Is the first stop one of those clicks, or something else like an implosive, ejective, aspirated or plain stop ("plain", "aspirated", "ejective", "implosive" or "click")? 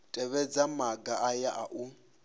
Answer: ejective